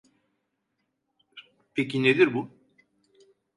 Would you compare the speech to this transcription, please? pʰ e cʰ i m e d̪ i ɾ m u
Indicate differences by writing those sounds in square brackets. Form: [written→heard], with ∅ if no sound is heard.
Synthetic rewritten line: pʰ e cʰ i [m→n] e d̪ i ɾ [m→b] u